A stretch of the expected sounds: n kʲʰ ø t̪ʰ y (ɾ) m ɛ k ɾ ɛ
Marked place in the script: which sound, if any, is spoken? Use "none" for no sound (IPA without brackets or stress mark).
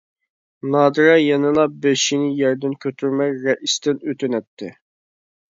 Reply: ɾ